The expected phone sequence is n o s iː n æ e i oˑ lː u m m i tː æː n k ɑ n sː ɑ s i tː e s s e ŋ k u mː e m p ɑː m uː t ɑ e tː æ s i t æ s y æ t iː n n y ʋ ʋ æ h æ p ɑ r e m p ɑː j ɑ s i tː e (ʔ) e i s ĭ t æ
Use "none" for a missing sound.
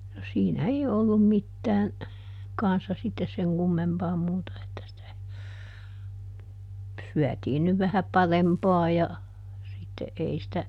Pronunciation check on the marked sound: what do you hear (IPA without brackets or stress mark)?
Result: ʔ